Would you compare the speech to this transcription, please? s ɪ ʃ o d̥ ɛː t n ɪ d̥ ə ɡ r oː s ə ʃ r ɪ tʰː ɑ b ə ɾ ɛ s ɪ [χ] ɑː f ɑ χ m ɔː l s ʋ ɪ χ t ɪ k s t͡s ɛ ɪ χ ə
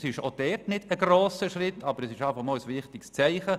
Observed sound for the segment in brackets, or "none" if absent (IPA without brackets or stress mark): ʃ